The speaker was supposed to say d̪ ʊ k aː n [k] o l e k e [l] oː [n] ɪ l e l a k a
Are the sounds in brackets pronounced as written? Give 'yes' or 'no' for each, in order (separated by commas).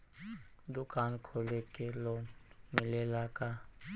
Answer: no, yes, no